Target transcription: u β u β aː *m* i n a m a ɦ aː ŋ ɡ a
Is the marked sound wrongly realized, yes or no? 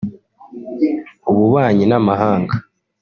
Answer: yes